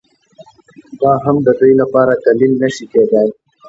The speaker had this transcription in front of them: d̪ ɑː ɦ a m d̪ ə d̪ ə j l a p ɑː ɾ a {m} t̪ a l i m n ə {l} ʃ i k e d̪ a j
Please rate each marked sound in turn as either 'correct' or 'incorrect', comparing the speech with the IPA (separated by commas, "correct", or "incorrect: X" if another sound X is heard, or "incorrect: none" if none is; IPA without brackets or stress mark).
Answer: incorrect: none, incorrect: none